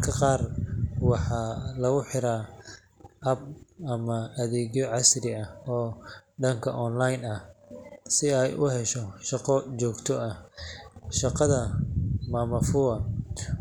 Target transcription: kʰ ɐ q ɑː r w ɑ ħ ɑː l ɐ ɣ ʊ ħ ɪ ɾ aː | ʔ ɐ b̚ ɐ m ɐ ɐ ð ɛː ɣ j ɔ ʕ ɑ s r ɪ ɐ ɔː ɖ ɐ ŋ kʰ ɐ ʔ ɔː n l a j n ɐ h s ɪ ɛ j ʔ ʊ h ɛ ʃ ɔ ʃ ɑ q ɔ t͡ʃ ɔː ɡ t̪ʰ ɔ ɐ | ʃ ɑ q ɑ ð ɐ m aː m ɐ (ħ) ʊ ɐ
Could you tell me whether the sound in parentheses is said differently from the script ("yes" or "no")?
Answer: yes